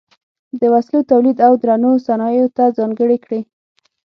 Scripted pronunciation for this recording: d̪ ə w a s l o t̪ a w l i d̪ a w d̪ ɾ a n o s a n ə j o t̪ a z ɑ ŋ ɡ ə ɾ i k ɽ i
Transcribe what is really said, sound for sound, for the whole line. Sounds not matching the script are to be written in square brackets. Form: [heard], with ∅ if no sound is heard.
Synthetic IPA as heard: d̪ ə w a s l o t̪ a w l i d̪ a w d̪ ɾ a n o s a n [ɑ] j o t̪ a z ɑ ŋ ɡ ə [ɽ] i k ɽ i